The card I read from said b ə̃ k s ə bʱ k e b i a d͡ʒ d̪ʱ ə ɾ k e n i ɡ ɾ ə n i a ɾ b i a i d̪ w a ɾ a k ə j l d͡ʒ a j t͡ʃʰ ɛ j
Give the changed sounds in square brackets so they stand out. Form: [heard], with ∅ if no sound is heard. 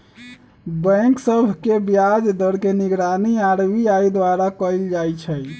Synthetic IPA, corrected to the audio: b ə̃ k s ə bʱ k e b [j] a d͡ʒ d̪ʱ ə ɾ k e n i ɡ ɾ [a] n i a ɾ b i a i d̪ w a ɾ a k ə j l d͡ʒ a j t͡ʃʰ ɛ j

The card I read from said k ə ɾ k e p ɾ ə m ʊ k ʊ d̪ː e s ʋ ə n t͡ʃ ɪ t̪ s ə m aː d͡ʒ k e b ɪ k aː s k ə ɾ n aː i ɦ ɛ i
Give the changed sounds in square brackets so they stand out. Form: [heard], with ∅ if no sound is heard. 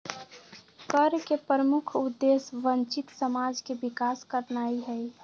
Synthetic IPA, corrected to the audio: k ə ɾ k e p ɾ ə m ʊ [kʰ] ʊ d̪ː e s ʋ ə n t͡ʃ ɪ t̪ s ə m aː d͡ʒ k e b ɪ k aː s k ə ɾ n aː i ɦ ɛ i

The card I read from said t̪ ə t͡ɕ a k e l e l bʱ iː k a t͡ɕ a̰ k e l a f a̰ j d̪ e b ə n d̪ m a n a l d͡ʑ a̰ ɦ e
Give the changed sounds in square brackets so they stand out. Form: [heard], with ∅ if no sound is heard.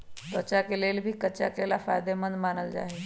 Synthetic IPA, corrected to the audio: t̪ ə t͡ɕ a k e l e l bʱ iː k [ə] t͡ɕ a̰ k e l a f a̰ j d̪ e [m] ə n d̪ m a n [ə] l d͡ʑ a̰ ɦ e

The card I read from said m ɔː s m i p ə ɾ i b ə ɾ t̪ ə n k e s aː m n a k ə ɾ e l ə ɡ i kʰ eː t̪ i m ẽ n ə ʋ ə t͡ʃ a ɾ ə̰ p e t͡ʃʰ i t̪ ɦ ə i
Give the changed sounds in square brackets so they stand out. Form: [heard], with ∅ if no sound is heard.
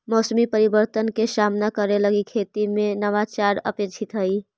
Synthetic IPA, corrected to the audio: m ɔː s m i p ə ɾ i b ə ɾ t̪ ə n k e s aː m n a k ə ɾ e l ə ɡ i kʰ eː t̪ i m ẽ n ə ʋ [a] t͡ʃ a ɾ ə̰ p e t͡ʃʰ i t̪ ɦ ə i

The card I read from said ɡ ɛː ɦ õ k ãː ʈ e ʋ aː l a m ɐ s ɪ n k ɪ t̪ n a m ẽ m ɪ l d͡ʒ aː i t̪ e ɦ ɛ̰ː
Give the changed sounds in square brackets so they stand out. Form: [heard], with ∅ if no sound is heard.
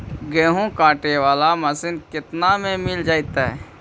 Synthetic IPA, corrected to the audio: ɡ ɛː ɦ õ k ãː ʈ e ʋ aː l a m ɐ s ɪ n k ɪ t̪ n a m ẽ m ɪ l d͡ʒ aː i t̪ [a] ɦ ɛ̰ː

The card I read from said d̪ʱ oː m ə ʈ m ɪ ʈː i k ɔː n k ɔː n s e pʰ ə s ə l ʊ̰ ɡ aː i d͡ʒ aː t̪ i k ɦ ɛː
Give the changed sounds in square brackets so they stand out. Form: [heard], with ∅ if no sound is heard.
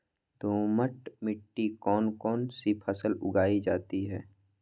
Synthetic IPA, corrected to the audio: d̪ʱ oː m ə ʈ m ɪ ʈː i k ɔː n k ɔː n s [i] pʰ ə s ə l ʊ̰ ɡ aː i d͡ʒ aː t̪ i [∅] ɦ ɛː

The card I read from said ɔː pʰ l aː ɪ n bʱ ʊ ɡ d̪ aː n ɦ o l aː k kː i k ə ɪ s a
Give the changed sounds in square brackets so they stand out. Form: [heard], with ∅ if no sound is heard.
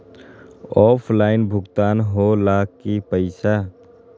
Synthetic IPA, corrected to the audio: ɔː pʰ l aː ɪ n bʱ ʊ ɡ [t̪] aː n ɦ o l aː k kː i [p] ə ɪ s a

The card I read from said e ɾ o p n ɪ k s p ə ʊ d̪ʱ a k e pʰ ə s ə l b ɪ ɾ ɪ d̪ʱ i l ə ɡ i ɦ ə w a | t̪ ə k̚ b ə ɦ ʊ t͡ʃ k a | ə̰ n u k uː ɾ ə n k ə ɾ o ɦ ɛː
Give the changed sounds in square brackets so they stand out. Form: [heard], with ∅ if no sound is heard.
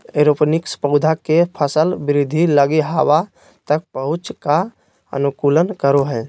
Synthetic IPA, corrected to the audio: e ɾ o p n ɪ k s p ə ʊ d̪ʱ a k e pʰ ə s ə l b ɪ ɾ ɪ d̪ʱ i l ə ɡ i ɦ [a] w a | t̪ ə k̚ [p] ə ɦ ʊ t͡ʃ k a | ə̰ n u k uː [l] ə n k ə ɾ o ɦ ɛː

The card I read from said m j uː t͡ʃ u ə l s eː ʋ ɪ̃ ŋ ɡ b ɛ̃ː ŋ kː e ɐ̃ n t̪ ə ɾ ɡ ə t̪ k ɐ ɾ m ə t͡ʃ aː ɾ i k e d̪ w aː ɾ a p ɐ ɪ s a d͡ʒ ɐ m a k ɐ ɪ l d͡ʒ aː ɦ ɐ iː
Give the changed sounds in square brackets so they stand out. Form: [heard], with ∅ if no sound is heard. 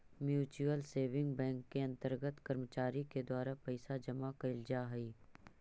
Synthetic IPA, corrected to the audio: m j uː t͡ʃ u ə l s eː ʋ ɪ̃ ŋ ɡ b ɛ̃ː ŋ kː e ɐ̃ n t̪ ə ɾ ɡ ə t̪ k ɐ ɾ m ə t͡ʃ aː ɾ i k e d̪ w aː ɾ a p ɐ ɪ s a d͡ʒ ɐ m a k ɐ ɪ l d͡ʒ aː ɦ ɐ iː

